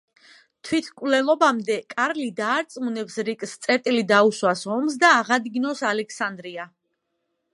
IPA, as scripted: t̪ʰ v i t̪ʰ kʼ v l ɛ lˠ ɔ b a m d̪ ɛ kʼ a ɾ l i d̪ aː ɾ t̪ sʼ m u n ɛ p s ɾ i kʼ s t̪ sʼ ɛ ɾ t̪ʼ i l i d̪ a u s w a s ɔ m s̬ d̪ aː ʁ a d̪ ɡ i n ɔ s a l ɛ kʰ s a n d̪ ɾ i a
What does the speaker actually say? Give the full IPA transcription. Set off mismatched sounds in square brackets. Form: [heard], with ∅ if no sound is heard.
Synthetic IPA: t̪ʰ [w] i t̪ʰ kʼ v l ɛ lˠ ɔ b a m d̪ ɛ kʼ a ɾ l i d̪ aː ɾ t̪ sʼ m u n ɛ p s ɾ i kʼ s t̪ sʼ ɛ ɾ t̪ʼ i l i d̪ a u s w a s ɔ m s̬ d̪ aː ʁ a d̪ ɡ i n ɔ s a l ɛ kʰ s a n d̪ ɾ i a